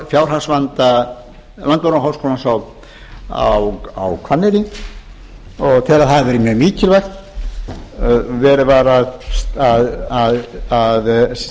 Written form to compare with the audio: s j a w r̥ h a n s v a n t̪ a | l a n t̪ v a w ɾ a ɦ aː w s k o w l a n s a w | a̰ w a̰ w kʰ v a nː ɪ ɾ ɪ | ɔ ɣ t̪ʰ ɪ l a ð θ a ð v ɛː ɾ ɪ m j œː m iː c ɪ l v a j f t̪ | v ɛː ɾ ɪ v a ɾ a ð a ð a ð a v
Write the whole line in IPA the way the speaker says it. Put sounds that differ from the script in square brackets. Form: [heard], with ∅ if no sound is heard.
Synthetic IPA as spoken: [f] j a w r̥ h a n s v a n t̪ a | l a n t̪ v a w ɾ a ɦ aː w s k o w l a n s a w | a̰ w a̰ w kʰ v a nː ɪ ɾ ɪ | ɔ ɣ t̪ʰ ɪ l a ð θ a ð v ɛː ɾ ɪ m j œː m iː c ɪ l v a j [x] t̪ | v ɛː ɾ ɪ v a ɾ a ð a ð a ð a [ð]